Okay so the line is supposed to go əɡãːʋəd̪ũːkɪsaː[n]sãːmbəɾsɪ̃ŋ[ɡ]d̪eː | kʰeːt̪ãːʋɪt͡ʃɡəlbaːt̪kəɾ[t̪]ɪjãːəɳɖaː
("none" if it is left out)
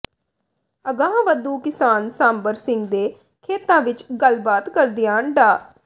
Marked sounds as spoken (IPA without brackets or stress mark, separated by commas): n, ɡ, d̪